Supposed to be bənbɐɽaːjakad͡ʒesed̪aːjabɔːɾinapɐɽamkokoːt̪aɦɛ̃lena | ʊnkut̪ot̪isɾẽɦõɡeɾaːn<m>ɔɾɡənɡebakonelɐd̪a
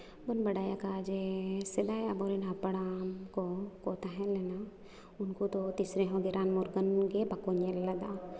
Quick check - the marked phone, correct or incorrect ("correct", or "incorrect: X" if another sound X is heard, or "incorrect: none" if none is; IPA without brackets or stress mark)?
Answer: correct